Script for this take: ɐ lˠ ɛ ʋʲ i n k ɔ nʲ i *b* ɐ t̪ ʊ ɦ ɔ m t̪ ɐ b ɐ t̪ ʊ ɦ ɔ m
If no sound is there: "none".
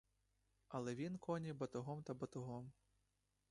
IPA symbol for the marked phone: b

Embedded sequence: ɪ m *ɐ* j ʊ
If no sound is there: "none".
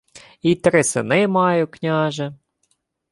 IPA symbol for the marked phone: ɑ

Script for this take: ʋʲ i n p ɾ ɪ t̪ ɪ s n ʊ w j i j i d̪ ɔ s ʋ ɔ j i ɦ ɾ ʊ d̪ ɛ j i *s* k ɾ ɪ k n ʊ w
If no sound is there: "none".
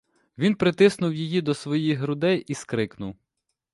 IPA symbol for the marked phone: s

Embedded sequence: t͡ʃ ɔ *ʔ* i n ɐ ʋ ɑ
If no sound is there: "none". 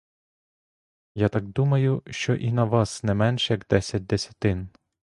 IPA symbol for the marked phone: ʔ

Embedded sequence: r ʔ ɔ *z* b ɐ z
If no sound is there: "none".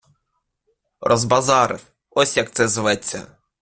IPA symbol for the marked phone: z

